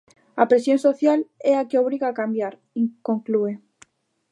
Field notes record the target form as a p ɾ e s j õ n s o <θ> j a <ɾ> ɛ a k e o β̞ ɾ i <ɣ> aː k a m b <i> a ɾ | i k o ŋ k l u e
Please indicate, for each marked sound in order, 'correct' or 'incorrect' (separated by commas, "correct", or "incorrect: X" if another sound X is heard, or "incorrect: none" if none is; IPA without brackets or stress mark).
correct, incorrect: l, correct, incorrect: j